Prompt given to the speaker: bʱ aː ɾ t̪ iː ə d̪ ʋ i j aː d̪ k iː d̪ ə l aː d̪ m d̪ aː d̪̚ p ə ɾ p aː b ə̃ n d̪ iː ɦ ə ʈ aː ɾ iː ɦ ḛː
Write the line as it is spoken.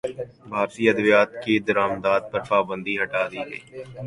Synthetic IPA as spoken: bʱ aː ɾ t̪ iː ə d̪ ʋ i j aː t̪ k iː d̪ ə ɾ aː m d̪ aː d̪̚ p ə ɾ p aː b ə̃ n d̪ iː ɦ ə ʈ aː ɾ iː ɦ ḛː